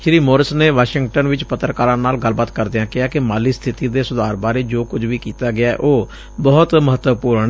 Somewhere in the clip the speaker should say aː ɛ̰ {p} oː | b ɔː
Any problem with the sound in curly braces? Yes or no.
yes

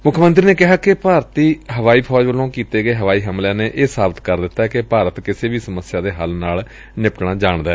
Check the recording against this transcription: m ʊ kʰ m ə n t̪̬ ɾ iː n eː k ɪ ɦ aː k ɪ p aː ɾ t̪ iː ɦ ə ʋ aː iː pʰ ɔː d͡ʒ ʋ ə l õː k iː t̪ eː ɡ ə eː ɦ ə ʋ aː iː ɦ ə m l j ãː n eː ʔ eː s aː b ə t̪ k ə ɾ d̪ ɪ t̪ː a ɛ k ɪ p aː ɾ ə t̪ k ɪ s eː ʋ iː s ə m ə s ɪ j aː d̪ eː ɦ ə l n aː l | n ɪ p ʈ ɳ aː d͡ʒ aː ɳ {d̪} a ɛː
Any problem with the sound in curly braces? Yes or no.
no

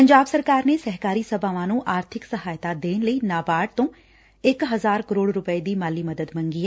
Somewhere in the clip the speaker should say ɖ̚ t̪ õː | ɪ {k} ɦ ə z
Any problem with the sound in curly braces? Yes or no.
no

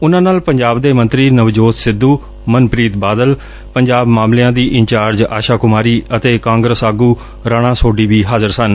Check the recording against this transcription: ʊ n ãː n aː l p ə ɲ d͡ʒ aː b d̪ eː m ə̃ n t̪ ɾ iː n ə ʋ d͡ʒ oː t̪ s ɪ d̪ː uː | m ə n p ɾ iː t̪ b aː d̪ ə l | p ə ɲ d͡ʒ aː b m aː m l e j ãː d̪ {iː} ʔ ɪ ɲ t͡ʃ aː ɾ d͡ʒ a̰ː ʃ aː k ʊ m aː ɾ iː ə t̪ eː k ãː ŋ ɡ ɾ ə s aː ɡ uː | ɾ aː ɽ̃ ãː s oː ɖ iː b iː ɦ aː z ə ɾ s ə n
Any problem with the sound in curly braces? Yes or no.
no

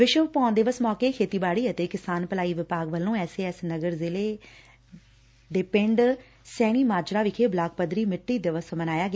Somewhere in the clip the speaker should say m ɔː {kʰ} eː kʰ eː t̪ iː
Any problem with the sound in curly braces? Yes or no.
yes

